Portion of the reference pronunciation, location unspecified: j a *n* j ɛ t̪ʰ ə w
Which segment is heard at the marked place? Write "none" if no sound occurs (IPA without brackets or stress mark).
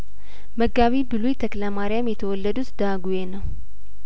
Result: m